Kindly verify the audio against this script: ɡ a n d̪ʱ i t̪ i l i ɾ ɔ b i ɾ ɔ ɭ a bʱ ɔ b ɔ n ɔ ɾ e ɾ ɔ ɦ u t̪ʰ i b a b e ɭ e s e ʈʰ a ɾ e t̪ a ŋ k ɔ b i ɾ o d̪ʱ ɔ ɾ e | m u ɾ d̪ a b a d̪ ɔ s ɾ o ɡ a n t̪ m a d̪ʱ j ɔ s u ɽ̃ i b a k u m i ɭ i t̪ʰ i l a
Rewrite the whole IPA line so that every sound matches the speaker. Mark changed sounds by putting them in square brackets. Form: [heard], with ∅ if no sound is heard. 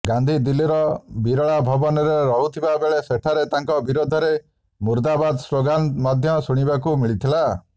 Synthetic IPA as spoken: ɡ a n d̪ʱ i [d̪] i l i ɾ ɔ b i ɾ ɔ ɭ a bʱ ɔ b ɔ n ɔ ɾ e ɾ ɔ ɦ u t̪ʰ i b a b e ɭ e s e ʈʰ a ɾ e t̪ a ŋ k ɔ b i ɾ o d̪ʱ ɔ ɾ e | m u ɾ d̪ a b a d̪ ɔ s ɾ o ɡ a n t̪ m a d̪ʱ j ɔ s u ɽ̃ i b a k u m i ɭ i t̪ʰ i l a